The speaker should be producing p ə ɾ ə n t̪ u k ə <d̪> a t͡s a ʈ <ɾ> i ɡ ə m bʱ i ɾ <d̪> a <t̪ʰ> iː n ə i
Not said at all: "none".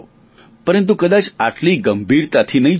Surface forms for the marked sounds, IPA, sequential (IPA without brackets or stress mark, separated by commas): d̪, l, t̪, t̪ʰ